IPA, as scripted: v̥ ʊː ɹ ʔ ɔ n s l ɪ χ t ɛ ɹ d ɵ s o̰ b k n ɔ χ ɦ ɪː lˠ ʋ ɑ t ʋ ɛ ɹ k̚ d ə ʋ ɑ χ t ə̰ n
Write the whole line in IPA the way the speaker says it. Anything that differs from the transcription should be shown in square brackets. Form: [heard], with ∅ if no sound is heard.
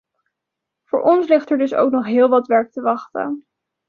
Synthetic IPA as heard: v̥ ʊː ɹ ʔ ɔ n s l ɪ χ t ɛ ɹ d ɵ s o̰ [w] k n ɔ χ ɦ ɪː lˠ ʋ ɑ t ʋ ɛ ɹ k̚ [t] ə ʋ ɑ χ t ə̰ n

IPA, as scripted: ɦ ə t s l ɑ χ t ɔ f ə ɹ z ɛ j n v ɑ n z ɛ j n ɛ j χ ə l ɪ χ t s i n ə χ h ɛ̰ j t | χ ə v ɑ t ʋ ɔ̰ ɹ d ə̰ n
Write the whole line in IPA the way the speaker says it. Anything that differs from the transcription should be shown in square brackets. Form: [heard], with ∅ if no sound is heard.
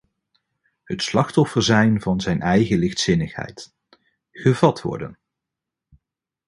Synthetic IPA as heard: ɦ ə t s l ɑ χ t ɔ f ə ɹ z ɛ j n v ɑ n z ɛ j n ɛ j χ ə l ɪ χ t s [ɪ] n ə χ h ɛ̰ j t | χ ə v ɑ t ʋ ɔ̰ ɹ d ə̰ n

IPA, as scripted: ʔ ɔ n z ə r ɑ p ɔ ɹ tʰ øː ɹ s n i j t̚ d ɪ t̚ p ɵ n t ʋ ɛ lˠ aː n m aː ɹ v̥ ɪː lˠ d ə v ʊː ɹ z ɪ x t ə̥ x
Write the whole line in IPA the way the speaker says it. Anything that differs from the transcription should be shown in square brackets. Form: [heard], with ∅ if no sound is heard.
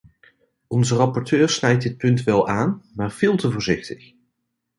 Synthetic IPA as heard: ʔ ɔ n z ə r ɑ p ɔ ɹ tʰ øː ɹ s n [ɛ] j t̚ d ɪ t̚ p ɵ n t ʋ ɛ lˠ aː n m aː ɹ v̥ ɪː lˠ [t] ə v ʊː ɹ z ɪ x t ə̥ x

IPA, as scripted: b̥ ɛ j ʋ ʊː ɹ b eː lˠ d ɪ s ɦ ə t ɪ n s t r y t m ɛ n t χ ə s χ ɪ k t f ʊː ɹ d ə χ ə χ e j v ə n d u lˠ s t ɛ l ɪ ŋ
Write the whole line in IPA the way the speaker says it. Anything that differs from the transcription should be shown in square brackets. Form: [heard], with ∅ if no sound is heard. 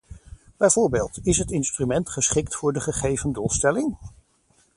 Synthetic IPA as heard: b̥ ɛ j [v] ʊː ɹ b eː lˠ [t] ɪ s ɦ ə t ɪ n s t r y [∅] m ɛ n t χ ə s χ ɪ k t f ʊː ɹ d ə χ ə χ e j v ə n d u lˠ s t ɛ l ɪ ŋ

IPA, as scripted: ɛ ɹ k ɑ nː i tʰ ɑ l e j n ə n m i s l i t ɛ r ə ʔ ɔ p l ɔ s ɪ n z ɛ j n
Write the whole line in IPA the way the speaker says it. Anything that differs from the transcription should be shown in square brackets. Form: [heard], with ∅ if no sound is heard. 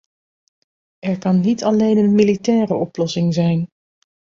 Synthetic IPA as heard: ɛ ɹ k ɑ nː i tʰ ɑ l e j n ə n m i [∅] l i t [ɛː] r ə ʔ ɔ p l ɔ s ɪ [ŋ] z ɛ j n

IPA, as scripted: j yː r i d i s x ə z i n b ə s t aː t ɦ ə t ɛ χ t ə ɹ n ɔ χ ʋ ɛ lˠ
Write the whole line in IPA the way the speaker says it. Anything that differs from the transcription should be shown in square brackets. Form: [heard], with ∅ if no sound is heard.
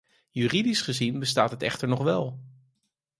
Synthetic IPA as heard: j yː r i d i s [χ] ə z i n b ə s t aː t ɦ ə t ɛ χ t ə ɹ n ɔ χ ʋ ɛ lˠ

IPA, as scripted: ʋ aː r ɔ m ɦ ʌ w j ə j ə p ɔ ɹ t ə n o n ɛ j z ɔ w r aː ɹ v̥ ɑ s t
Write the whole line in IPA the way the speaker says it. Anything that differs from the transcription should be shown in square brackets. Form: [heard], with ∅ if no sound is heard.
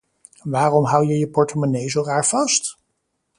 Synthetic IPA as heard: ʋ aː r ɔ m ɦ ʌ w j ə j ə p ɔ ɹ t ə [m] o n [e] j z [o] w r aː ɹ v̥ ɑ s t

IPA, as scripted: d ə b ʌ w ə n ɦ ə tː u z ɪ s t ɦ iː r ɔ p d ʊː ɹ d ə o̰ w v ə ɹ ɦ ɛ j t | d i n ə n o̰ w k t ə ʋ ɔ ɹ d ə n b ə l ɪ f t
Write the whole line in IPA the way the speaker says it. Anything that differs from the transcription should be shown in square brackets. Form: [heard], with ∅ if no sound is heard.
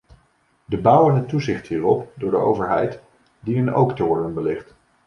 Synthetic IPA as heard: d ə b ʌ w ə n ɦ ə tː u z ɪ [χ] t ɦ iː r ɔ p d ʊː ɹ d ə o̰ w v ə ɹ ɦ ɛ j t | d i n ə n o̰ w k t ə ʋ ɔ ɹ d ə n b ə l ɪ [χ] t

